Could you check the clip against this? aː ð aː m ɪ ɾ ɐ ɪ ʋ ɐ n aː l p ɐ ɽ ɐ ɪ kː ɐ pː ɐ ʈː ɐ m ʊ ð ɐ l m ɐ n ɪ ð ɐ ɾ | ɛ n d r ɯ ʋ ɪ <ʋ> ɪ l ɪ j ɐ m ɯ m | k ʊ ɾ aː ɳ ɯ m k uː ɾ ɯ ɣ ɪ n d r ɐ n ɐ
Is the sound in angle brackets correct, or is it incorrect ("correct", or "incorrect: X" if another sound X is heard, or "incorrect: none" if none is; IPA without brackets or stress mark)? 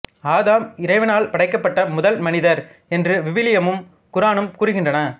correct